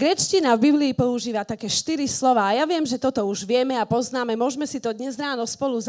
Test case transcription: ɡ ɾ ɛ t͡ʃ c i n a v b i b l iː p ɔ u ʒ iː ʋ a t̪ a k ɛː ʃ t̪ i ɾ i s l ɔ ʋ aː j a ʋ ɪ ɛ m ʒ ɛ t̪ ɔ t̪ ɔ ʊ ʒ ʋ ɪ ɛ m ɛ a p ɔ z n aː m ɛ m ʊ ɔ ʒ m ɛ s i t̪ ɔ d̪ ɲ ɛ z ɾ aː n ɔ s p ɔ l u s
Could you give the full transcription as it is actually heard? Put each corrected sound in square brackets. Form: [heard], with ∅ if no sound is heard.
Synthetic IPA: ɡ ɾ ɛ t͡ʃ c i n a v b i b l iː p ɔ u ʒ iː ʋ a t̪ a k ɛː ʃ t̪ i ɾ i s l ɔ ʋ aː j a ʋ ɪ ɛ m ʒ ɛ t̪ ɔ t̪ ɔ [u] ʒ ʋ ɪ ɛ m ɛ a p ɔ z n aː m ɛ m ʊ ɔ ʒ m ɛ s i t̪ ɔ d̪ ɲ ɛ z ɾ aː n ɔ s p ɔ l u [z]